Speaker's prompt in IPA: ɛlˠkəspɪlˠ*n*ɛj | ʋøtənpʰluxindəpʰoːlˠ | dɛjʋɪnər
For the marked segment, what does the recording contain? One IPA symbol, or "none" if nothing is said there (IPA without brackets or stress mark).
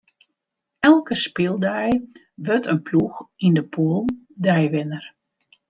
d